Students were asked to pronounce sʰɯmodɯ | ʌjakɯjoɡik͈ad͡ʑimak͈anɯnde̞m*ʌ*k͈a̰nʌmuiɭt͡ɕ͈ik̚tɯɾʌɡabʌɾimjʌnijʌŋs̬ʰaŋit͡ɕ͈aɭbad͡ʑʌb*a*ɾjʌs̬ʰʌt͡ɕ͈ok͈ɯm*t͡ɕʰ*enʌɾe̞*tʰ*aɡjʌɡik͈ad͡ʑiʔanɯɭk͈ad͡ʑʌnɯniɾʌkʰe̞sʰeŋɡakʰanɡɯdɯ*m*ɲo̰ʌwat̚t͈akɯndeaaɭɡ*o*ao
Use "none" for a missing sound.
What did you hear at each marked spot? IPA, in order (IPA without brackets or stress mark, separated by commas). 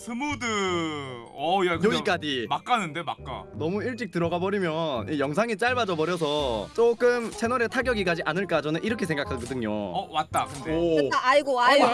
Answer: a, ʌ, t͡ɕʰ, tʰ, ŋ, o